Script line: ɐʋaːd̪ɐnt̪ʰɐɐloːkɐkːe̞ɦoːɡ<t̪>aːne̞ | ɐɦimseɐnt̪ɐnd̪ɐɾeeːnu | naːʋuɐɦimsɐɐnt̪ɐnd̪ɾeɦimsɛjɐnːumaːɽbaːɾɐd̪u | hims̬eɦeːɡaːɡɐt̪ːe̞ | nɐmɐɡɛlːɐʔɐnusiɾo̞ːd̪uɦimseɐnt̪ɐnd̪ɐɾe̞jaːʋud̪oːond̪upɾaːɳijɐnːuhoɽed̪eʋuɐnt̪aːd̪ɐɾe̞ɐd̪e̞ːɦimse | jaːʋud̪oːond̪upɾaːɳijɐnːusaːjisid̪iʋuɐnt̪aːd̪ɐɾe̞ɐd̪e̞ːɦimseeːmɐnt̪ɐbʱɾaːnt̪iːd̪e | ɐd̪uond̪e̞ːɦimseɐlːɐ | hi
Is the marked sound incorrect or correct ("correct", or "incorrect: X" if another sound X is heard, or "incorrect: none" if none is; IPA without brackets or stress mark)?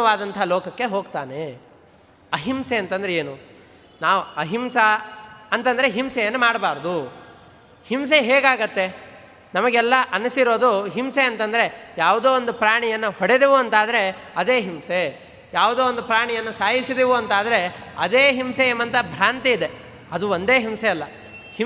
correct